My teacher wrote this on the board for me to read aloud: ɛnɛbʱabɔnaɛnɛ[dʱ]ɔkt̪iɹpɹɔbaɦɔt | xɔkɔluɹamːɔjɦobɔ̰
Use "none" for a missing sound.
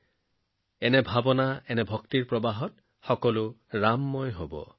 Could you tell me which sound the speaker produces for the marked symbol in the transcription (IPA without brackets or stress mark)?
bʱ